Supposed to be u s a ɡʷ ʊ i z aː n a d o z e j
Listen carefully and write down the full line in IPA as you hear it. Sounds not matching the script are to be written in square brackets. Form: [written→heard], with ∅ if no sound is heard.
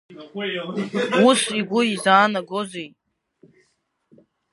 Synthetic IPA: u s [a→i] ɡʷ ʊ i z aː n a [d→ɡ] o z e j